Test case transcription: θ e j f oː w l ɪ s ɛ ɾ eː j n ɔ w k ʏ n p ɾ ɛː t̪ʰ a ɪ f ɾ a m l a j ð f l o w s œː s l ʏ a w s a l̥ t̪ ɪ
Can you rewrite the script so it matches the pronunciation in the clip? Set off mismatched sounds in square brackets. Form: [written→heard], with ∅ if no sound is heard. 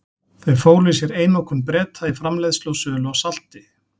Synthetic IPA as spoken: θ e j f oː w l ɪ s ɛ ɾ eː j n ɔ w k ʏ n p ɾ ɛː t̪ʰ a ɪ f ɾ a m l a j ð [f→s] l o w s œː [s→∅] l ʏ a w s a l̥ t̪ ɪ